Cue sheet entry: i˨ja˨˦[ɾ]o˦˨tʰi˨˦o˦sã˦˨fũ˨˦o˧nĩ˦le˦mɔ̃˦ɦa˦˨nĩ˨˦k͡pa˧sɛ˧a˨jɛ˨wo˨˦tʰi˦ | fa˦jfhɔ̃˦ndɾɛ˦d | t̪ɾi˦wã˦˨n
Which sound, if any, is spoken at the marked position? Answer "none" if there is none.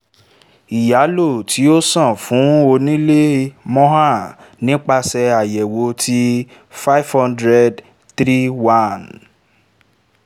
l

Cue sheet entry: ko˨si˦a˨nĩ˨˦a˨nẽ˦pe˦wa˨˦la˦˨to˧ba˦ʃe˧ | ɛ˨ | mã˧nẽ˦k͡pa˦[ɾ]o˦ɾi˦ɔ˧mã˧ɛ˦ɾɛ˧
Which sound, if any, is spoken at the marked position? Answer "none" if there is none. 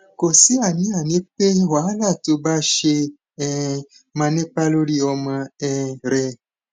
l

